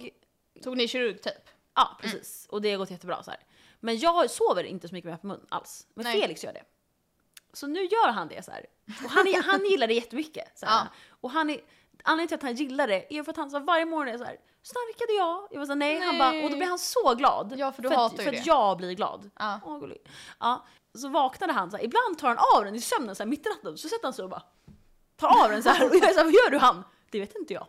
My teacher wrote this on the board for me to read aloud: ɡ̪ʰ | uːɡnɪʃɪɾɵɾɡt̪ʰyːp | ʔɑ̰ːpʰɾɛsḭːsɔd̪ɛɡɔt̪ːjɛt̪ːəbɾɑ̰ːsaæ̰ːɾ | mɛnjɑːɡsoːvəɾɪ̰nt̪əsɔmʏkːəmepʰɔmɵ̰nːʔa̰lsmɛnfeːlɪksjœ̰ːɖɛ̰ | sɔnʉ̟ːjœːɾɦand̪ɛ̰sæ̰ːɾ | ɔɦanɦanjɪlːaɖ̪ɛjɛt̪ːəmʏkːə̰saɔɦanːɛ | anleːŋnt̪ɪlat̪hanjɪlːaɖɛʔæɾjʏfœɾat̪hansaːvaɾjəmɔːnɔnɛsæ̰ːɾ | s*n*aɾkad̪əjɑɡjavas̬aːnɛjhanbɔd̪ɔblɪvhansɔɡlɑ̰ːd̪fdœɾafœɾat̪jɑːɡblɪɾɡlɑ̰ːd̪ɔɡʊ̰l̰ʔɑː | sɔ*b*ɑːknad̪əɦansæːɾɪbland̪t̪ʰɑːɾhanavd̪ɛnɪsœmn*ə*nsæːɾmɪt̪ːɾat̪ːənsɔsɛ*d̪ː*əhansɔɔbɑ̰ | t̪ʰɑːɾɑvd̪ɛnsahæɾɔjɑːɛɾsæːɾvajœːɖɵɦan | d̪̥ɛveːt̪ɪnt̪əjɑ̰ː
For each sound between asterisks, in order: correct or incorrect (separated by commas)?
correct, incorrect, correct, incorrect